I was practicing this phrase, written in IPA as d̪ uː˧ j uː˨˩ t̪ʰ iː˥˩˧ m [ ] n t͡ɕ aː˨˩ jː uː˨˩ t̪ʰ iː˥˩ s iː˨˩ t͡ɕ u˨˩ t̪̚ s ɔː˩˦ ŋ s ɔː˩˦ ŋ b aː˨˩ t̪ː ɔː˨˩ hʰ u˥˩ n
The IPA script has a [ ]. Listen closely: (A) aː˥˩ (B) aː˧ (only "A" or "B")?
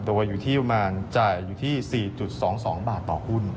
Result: B